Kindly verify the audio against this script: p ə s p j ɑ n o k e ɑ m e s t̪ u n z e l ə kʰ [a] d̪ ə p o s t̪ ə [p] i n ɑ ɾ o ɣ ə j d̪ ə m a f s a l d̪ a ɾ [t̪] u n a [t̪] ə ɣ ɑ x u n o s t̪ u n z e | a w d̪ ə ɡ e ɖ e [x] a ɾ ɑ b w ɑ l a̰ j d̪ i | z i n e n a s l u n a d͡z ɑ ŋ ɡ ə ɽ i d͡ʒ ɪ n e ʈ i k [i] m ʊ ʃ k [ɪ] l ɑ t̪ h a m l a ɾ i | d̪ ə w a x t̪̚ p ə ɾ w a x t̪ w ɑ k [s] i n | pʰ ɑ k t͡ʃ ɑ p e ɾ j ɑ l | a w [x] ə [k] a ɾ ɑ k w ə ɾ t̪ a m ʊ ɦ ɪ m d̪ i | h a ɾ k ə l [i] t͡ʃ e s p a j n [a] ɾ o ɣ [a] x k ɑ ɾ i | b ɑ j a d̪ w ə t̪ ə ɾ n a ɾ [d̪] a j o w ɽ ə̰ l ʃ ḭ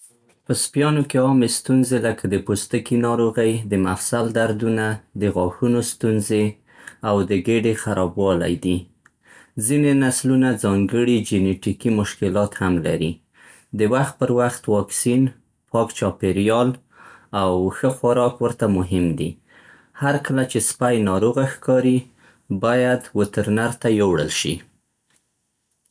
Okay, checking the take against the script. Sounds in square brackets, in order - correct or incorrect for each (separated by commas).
correct, incorrect, incorrect, incorrect, correct, correct, correct, correct, correct, incorrect, incorrect, incorrect, correct, incorrect